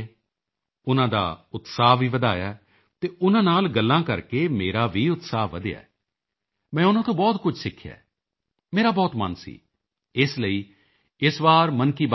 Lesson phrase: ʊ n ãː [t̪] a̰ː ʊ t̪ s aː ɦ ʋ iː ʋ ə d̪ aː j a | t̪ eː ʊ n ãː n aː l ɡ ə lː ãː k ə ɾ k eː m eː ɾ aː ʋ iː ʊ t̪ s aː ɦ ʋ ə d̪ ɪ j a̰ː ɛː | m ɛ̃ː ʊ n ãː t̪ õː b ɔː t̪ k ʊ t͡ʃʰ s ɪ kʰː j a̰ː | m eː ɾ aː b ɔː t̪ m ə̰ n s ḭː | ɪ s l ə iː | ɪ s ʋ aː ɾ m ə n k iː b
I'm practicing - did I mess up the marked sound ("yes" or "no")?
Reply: yes